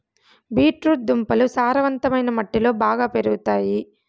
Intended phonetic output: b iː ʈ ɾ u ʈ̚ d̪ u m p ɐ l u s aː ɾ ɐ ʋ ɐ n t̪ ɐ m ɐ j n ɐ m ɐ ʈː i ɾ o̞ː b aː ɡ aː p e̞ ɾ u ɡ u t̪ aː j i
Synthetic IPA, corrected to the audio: b iː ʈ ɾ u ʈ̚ d̪ u m p ɐ l u s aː ɾ ɐ ʋ ɐ n t̪ ɐ m ɐ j n ɐ m ɐ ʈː i l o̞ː b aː ɡ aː p e̞ ɾ u ɡ u t̪ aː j i